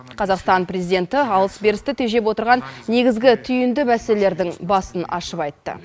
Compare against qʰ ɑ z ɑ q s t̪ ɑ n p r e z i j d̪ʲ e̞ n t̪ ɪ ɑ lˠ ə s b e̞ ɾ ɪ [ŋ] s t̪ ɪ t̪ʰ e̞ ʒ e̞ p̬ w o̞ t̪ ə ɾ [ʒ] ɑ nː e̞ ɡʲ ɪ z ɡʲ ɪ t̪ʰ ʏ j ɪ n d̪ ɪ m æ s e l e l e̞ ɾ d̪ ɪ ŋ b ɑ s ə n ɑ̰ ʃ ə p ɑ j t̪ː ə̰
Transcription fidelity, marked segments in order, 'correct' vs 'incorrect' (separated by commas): incorrect, incorrect